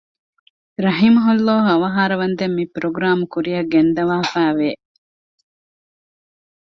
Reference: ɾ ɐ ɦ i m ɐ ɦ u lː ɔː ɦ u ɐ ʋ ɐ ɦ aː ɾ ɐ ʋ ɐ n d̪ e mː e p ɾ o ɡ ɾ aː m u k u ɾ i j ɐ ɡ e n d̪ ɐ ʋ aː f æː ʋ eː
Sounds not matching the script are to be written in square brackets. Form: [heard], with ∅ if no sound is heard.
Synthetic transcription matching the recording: ɾ ɐ ɦ i m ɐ ɦ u lː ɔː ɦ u ɐ ʋ ɐ ɦ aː ɾ ɐ ʋ ɐ n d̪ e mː [i] p ɾ o ɡ ɾ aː m u k u ɾ i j ɐ ɡ e n d̪ ɐ ʋ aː f æː ʋ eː